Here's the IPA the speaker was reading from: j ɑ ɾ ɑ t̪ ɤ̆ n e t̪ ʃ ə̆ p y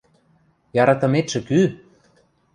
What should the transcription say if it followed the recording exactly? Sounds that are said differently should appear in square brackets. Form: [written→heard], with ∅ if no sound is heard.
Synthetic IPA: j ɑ ɾ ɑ t̪ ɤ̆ [n→m] e t̪ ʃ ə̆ [p→k] y